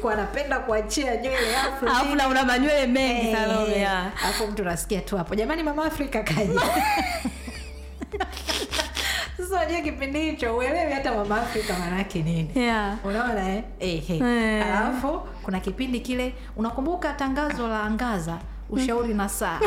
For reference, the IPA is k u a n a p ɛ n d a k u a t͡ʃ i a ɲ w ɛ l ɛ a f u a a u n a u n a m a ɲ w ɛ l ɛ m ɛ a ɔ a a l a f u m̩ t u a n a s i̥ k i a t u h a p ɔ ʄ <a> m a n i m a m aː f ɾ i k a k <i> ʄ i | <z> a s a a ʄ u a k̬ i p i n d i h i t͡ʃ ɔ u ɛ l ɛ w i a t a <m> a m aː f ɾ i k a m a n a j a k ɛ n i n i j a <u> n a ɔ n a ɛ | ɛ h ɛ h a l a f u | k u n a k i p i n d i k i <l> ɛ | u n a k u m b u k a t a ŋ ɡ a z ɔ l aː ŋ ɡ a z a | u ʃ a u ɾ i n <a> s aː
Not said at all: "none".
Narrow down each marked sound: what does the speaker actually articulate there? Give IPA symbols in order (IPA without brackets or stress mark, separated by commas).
a, a, s, m, u, l, a